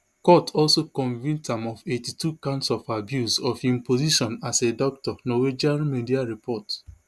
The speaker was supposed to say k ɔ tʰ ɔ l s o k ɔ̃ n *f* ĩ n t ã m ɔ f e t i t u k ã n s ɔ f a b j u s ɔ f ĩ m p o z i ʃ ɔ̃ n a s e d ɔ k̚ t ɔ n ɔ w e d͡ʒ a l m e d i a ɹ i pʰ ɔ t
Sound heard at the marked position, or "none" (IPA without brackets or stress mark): v